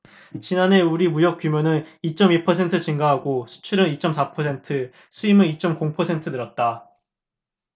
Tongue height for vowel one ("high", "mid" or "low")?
high